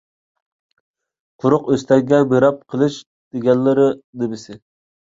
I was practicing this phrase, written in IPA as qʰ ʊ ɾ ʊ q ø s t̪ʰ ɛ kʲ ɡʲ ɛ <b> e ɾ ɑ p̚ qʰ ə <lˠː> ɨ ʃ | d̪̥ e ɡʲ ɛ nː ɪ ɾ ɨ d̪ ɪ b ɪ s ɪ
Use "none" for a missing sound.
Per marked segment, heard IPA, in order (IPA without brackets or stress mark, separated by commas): b, lˠ